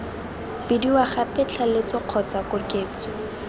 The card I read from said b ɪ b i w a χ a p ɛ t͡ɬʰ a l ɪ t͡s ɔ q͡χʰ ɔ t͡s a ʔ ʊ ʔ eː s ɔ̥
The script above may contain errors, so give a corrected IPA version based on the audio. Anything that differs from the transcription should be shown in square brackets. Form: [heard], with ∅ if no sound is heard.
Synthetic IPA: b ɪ [d] i w a χ a p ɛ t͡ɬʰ a l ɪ t͡s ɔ q͡χʰ ɔ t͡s a [k] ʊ [k] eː [t͡s] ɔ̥